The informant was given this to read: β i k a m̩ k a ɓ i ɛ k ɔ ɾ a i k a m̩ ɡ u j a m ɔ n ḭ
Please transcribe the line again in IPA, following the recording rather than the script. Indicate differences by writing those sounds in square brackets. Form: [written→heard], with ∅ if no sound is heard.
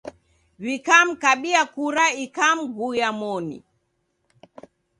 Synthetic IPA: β i k a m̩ k a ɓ i [ɛ→a] k [ɔ→u] ɾ a i k a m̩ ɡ u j a m ɔ n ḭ